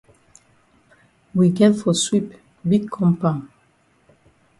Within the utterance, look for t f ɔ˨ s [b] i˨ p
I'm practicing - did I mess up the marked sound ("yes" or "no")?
yes